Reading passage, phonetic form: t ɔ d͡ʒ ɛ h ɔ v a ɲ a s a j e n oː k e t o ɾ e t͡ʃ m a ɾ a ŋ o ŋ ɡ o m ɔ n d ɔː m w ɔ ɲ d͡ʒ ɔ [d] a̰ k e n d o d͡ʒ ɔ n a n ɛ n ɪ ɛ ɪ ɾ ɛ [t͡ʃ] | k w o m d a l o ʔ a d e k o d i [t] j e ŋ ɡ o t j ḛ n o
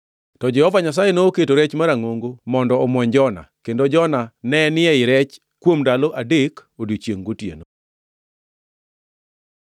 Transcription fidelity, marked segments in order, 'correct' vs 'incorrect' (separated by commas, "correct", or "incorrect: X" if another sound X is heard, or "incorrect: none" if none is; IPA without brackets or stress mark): incorrect: n, correct, incorrect: t͡ʃ